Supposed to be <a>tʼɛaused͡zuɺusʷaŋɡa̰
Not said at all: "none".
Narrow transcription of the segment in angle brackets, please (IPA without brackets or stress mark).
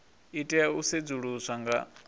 i